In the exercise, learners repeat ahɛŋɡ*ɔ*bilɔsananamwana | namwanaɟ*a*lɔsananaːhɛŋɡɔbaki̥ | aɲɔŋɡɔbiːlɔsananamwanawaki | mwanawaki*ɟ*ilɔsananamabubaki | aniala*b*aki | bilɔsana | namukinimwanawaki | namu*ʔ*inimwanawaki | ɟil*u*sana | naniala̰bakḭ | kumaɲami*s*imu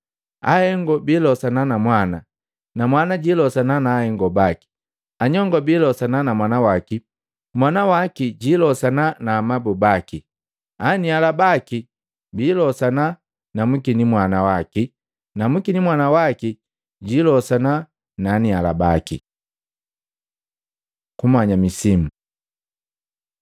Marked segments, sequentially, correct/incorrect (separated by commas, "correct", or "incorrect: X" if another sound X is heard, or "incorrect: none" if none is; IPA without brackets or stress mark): correct, incorrect: i, correct, correct, incorrect: k, incorrect: ɔ, correct